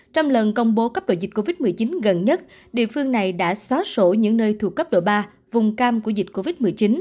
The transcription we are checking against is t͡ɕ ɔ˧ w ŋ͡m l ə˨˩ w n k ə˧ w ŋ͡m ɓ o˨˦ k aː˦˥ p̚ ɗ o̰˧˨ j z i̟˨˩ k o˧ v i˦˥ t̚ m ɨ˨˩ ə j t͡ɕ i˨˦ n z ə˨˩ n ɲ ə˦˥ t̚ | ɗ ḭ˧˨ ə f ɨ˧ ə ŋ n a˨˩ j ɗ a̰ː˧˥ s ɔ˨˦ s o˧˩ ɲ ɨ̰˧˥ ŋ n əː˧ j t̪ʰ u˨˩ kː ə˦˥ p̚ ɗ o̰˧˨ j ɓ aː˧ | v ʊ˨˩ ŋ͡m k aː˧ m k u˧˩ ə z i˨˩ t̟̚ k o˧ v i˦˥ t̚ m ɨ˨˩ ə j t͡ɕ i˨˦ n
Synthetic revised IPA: t͡ɕ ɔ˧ w ŋ͡m l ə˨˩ n k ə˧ w ŋ͡m ɓ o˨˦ k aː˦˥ p̚ ɗ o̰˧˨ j z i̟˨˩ k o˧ v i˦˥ t̚ m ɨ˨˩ ə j t͡ɕ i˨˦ n ɣ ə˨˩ n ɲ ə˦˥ t̚ | ɗ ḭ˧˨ ə f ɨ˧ ə ŋ n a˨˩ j ɗ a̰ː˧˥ s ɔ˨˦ s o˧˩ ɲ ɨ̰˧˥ ŋ n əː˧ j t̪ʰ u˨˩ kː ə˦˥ p̚ ɗ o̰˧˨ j ɓ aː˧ | v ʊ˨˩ ŋ͡m k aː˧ m k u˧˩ ə z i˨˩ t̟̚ k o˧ v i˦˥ t̚ m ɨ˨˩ ə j t͡ɕ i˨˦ n